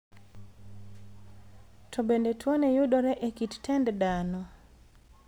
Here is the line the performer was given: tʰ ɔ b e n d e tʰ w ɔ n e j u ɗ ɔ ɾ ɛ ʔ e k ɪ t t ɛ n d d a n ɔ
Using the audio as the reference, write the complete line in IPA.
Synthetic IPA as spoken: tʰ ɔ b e n d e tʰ w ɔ n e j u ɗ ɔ ɾ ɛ ʔ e k i t t ɛ n d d a n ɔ